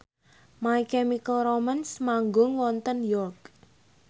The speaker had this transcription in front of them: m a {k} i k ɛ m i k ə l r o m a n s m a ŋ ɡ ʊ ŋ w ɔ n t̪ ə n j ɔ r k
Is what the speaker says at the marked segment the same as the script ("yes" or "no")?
no